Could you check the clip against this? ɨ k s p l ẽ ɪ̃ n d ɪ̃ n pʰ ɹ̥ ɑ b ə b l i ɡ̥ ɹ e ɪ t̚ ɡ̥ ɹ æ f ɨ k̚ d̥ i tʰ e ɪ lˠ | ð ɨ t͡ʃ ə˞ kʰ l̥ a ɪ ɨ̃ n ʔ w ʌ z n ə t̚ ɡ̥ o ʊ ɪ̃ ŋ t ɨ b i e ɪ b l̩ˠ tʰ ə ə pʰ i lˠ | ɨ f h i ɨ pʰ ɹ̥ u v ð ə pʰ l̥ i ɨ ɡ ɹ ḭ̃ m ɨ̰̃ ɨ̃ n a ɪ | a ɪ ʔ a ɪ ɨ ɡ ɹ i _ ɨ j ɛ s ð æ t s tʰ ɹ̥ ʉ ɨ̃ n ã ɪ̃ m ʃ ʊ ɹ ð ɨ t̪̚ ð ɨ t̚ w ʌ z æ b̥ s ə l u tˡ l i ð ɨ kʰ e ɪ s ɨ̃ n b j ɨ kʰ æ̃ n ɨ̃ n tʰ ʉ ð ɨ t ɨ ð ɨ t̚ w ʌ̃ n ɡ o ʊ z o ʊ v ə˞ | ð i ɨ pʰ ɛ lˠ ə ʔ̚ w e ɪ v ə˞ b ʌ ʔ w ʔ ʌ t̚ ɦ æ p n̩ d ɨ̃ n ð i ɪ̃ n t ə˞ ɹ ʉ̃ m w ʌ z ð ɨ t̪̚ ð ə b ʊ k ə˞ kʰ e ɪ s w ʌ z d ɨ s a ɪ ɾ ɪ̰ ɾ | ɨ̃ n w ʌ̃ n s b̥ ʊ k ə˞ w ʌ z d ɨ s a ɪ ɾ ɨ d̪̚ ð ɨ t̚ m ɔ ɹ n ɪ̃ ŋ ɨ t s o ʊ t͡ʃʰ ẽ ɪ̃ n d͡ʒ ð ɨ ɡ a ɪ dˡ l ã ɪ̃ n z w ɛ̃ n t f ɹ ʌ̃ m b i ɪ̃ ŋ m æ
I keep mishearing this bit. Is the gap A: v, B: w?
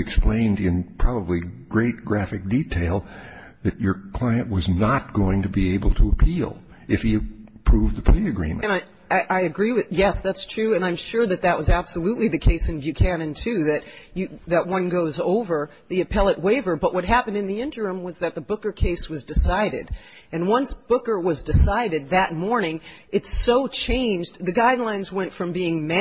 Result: B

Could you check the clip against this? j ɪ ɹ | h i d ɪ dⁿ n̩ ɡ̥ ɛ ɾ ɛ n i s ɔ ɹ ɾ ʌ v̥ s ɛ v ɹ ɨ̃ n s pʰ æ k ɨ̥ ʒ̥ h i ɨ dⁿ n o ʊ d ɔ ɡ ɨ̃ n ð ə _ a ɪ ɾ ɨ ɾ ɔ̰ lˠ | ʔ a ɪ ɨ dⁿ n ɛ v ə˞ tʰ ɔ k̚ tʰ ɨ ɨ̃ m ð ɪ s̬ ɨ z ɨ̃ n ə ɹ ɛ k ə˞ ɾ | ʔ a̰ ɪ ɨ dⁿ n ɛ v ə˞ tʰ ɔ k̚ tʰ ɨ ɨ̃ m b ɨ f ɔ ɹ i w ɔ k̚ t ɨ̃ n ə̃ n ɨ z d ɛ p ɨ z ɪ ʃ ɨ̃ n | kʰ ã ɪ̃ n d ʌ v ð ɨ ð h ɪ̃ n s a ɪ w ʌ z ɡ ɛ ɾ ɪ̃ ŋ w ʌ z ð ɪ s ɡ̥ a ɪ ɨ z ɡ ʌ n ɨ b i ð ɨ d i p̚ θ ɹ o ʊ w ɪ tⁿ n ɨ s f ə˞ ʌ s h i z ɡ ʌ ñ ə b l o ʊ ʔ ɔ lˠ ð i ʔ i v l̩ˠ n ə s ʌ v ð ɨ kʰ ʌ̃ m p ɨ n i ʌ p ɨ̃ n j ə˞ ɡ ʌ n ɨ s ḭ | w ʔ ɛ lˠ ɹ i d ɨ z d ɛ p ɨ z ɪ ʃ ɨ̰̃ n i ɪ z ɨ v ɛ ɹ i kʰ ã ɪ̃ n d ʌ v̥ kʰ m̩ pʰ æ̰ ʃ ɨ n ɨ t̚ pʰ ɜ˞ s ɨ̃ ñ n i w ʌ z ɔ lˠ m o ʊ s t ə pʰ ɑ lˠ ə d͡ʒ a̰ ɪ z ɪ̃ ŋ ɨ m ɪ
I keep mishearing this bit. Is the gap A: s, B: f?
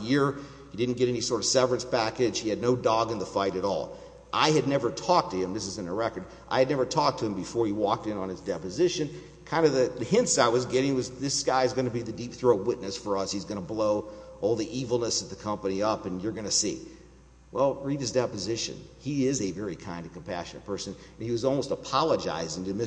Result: B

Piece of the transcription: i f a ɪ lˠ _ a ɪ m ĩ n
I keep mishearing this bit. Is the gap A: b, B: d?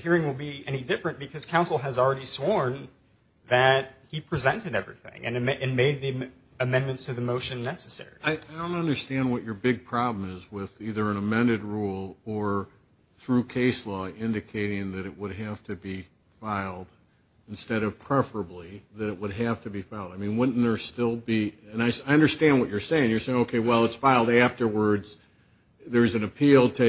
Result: B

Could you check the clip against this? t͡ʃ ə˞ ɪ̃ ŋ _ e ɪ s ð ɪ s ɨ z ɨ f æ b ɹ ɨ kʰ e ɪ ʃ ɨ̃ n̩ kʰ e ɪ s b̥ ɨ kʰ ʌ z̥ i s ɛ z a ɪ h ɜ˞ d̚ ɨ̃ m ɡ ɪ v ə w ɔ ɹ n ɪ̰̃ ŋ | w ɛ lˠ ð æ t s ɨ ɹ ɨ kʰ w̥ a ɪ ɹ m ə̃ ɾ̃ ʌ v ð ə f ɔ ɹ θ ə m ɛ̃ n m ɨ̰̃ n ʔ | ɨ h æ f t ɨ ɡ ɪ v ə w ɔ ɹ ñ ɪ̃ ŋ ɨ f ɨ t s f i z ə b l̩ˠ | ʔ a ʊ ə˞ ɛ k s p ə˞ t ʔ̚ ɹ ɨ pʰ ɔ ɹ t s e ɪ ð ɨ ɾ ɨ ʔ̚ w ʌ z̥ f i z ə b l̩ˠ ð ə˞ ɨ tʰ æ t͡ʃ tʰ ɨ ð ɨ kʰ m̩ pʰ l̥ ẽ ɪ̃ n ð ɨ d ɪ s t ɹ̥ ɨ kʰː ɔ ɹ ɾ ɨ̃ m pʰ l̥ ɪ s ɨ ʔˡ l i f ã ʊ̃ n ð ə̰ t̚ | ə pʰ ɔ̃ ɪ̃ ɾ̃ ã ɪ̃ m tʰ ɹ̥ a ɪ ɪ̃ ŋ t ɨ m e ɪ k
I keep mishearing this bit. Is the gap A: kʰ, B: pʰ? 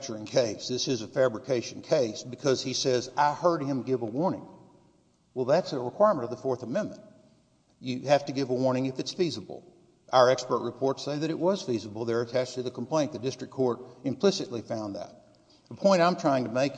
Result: A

